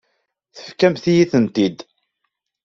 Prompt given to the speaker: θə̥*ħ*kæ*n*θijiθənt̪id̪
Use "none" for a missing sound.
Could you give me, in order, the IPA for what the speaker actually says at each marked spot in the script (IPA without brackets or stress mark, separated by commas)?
f, m